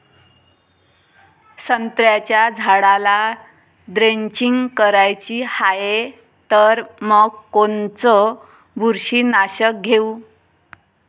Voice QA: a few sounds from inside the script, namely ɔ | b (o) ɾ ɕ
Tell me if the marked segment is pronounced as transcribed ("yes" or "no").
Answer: no